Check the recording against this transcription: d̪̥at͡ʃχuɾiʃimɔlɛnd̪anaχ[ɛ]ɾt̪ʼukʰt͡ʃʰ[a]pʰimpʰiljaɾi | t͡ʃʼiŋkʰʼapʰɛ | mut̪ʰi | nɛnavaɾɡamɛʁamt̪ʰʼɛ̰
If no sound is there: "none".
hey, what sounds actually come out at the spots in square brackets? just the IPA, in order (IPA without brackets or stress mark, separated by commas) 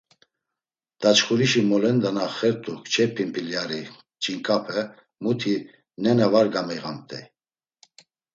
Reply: ɛ, ɛ